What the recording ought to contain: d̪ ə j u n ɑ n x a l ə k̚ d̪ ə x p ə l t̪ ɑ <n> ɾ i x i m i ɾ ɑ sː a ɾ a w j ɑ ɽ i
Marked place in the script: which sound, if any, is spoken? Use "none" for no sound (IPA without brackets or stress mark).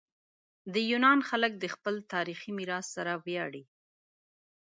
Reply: none